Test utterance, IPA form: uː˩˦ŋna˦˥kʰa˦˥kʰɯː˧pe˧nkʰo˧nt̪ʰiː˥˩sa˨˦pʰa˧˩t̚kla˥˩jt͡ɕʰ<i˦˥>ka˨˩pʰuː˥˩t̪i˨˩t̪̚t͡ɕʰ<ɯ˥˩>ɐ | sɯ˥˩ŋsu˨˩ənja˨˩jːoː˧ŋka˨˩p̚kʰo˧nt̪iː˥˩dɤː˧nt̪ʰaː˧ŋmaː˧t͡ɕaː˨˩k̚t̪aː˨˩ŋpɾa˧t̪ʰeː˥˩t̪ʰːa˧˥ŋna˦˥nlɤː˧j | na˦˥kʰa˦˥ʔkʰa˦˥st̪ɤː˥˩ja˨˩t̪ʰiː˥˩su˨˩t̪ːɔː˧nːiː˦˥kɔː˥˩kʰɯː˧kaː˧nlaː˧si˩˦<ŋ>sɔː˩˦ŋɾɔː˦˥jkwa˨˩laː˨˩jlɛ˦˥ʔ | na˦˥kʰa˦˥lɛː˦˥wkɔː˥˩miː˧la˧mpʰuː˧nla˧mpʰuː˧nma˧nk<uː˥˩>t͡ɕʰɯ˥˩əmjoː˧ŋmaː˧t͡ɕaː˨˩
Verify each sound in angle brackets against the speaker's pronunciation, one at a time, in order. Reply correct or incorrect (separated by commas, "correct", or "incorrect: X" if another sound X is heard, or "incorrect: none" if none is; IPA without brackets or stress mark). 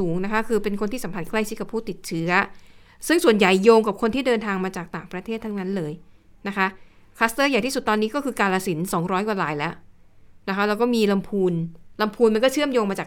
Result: correct, incorrect: ɯ˦˥, incorrect: n, incorrect: ɔː˥˩